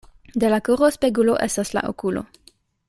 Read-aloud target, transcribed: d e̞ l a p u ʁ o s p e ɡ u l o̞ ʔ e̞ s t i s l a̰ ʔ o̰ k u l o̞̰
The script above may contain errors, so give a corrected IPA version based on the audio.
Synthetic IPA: d e̞ l a k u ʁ o s p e ɡ u l o̞ ʔ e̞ s t a s l a̰ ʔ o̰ k u l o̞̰